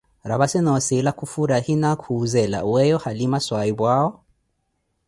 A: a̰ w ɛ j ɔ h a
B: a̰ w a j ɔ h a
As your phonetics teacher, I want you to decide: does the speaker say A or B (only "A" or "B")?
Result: A